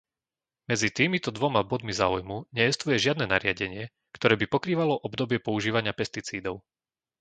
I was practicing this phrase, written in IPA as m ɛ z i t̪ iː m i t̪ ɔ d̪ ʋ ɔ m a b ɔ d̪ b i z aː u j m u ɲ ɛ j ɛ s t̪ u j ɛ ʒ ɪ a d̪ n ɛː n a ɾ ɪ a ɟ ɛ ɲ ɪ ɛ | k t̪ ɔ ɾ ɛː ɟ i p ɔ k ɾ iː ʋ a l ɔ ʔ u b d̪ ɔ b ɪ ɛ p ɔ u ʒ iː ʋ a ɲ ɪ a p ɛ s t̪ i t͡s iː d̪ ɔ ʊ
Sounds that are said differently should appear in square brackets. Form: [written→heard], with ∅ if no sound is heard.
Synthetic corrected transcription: m ɛ [z→d͡z] i t̪ iː m i t̪ ɔ d̪ ʋ ɔ m a b ɔ d̪ [b→m] i z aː u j m u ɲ ɛ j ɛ s t̪ u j ɛ ʒ ɪ a d̪ n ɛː n a ɾ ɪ a ɟ ɛ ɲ ɪ ɛ | k t̪ ɔ ɾ ɛː [ɟ→b] i p ɔ k ɾ iː ʋ a l ɔ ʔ [u→ɔ] b d̪ ɔ b ɪ ɛ p ɔ u ʒ iː ʋ a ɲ ɪ a p ɛ s t̪ i t͡s iː d̪ ɔ ʊ